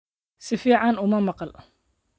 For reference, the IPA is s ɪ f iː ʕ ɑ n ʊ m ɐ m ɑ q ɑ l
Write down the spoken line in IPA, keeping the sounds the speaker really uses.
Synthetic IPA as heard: s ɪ f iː ʕ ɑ n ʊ m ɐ m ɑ q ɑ l